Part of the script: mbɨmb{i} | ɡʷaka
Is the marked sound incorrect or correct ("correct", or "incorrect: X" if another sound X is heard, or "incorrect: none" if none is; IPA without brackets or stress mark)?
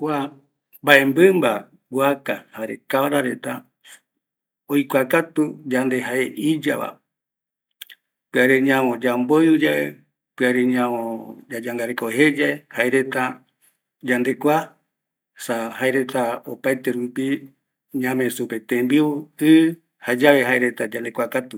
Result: incorrect: a